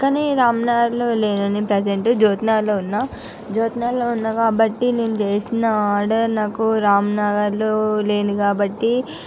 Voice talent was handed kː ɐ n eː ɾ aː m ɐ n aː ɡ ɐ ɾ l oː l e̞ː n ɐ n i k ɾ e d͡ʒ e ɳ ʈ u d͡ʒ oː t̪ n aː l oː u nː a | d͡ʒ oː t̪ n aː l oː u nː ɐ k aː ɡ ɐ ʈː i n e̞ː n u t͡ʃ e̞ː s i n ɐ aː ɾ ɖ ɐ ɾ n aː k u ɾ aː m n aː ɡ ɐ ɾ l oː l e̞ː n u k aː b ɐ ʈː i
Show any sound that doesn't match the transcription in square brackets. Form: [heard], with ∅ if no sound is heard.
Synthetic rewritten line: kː ɐ n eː ɾ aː m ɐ n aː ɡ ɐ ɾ l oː l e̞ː n ɐ n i [p] ɾ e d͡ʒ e ɳ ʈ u d͡ʒ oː t̪ n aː l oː u nː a | d͡ʒ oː t̪ n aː l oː u nː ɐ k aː [b] ɐ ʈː i n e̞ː n u t͡ʃ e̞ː s i n ɐ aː ɾ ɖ ɐ ɾ n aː k u ɾ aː m n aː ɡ ɐ ɾ l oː l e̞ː n u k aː b ɐ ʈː i